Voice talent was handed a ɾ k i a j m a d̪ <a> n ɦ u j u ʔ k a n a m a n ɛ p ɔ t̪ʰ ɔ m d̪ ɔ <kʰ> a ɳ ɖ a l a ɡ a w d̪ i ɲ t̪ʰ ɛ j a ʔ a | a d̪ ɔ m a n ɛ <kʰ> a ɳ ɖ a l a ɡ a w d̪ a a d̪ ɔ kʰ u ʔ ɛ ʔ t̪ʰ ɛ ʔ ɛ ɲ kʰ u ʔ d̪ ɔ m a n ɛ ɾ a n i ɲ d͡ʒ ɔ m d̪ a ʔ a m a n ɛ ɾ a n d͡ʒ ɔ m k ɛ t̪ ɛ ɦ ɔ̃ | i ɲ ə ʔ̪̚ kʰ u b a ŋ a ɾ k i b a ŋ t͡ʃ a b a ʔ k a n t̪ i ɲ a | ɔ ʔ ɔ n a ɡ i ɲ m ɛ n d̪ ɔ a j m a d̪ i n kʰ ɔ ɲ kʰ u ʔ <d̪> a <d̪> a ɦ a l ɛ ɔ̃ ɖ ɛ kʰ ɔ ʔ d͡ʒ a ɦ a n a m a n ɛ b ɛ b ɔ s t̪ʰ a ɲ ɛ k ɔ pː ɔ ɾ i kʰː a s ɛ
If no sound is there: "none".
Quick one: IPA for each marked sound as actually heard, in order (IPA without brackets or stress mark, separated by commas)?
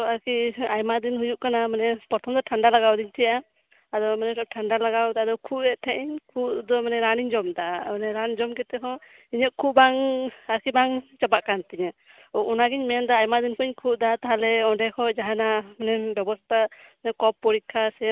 i, ʈʰ, ʈʰ, d̪, t̪